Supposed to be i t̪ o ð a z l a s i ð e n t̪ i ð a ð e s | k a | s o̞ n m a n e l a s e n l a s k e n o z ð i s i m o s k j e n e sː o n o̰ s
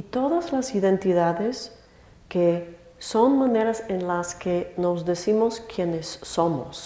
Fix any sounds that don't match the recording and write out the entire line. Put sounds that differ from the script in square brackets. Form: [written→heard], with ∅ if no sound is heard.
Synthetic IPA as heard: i t̪ o ð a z l a s i ð e n t̪ i ð a ð e s | k [a→e] | s o̞ n m a n e [l→ɾ] a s e n l a s k e n o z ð [i→e] s i m o s k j e n e sː o [n→m] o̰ s